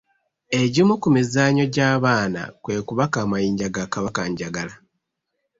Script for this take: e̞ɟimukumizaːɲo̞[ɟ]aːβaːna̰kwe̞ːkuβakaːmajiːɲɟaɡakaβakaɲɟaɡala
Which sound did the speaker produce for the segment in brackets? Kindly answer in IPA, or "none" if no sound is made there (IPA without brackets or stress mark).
ɟ